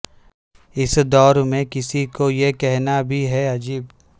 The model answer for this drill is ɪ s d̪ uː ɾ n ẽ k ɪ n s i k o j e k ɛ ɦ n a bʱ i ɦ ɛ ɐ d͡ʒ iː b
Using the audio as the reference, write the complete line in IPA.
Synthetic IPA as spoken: ɪ s d̪ ɔː ɾ m ẽ k ɪ s i k o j e k ɛ ɦ n a bʱ i ɦ ɛ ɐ d͡ʒ iː b